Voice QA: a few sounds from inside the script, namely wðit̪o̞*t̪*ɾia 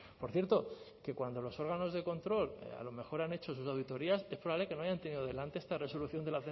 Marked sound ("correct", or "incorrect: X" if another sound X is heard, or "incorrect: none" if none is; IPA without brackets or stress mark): incorrect: none